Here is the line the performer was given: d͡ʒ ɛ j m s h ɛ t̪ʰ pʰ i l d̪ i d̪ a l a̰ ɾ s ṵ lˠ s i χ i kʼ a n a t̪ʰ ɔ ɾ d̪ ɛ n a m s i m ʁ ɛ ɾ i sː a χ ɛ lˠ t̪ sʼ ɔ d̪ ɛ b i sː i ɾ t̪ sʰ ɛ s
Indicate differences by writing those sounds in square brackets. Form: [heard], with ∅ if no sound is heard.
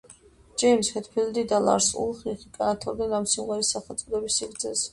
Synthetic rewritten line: d͡ʒ ɛ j m s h ɛ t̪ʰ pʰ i l d̪ i d̪ a l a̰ ɾ s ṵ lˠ [χ] i χ i kʼ a n a t̪ʰ ɔ ɾ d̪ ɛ n a m s i m ʁ ɛ ɾ i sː a χ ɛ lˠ t̪ sʼ ɔ d̪ ɛ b i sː i ɾ t̪ sʰ ɛ s